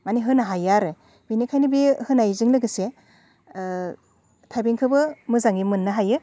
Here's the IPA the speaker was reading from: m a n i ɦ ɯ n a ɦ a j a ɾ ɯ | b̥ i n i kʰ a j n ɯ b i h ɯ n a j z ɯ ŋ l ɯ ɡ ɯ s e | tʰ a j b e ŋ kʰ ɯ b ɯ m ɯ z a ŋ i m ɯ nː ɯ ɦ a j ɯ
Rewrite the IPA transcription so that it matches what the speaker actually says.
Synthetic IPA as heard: m a n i ɦ ɯ n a ɦ a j a ɾ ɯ | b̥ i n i kʰ a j n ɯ b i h ɯ n a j z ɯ ŋ l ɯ ɡ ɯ s e | tʰ a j b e ŋ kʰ ɯ b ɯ m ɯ z a ŋ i m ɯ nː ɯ ɦ a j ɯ